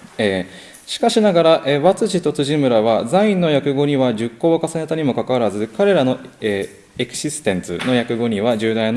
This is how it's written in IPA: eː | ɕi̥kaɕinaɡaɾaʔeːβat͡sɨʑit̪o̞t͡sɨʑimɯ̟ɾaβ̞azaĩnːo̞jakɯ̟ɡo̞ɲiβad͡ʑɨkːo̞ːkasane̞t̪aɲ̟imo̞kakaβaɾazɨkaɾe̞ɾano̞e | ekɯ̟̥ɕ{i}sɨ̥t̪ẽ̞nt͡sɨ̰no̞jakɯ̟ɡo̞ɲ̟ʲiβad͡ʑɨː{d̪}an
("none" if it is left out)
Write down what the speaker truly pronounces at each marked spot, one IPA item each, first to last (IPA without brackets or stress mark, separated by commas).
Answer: i, d̪